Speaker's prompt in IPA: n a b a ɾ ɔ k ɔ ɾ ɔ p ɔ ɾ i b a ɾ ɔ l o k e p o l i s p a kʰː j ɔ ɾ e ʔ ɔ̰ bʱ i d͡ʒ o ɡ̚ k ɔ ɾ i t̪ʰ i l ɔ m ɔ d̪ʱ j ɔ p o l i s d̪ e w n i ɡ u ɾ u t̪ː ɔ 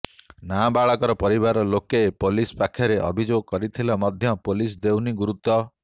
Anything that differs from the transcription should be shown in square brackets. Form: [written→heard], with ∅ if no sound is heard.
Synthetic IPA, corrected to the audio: n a b a [ɾ→ɭ] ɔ k ɔ ɾ ɔ p ɔ ɾ i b a ɾ ɔ l o k e p o l i s p a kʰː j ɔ ɾ e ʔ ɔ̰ bʱ i d͡ʒ o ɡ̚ k ɔ ɾ i t̪ʰ i l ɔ m ɔ d̪ʱ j ɔ p o l i s d̪ e w n i ɡ u ɾ u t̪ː ɔ